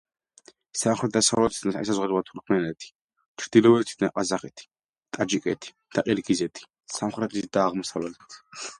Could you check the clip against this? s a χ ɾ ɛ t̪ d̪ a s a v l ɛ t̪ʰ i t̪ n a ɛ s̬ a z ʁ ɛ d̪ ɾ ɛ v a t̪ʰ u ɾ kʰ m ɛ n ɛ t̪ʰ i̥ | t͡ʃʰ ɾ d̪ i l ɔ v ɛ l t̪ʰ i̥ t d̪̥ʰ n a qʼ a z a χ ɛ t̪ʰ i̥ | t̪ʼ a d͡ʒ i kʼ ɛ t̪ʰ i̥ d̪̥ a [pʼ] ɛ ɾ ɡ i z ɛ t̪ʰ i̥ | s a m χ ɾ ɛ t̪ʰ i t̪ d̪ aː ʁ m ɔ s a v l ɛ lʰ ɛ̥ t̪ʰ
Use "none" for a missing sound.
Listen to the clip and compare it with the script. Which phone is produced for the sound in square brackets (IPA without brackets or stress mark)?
qʼ